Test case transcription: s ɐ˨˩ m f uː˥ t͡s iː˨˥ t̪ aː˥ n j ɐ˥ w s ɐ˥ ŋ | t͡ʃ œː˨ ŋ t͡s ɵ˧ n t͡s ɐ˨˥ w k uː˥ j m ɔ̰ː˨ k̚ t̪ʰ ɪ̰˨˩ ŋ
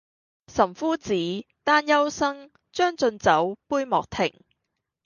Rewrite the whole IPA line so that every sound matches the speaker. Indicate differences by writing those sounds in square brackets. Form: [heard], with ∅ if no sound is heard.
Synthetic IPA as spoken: s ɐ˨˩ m f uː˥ t͡s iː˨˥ t̪ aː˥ n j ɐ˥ w s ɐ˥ ŋ | t͡ʃ [œː˥] ŋ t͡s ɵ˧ n t͡s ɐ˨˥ w [p] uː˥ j m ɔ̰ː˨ k̚ t̪ʰ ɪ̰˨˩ ŋ